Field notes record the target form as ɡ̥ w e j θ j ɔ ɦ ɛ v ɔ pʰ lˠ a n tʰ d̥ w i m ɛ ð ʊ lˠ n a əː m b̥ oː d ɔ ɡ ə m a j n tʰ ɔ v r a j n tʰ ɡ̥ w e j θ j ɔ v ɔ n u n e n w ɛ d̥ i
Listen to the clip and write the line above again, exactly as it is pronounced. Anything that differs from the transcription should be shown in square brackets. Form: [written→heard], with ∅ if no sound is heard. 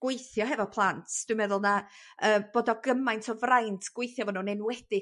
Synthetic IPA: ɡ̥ w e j θ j ɔ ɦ ɛ v ɔ pʰ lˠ a n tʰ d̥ w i m ɛ ð ʊ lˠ n a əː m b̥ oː d ɔ ɡ ə m a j n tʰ ɔ v r a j n tʰ ɡ̥ w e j θ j ɔ v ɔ n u n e n w ɛ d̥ [i→ɪ]